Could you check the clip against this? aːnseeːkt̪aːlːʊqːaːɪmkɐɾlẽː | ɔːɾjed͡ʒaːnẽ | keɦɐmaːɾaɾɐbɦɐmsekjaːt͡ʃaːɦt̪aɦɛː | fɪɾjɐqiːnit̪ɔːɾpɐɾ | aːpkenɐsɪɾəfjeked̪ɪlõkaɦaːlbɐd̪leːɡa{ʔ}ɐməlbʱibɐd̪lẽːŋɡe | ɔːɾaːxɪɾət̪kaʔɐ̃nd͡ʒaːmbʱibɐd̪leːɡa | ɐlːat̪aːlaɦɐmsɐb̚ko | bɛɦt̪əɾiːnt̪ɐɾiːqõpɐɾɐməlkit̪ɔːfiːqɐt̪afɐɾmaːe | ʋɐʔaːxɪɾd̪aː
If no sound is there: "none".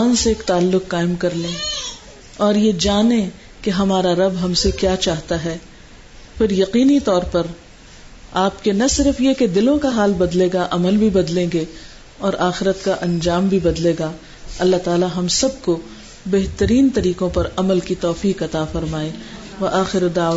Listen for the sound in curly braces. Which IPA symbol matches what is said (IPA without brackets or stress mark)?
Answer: ʔ